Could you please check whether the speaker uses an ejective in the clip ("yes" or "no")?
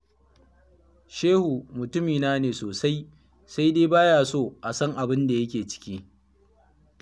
no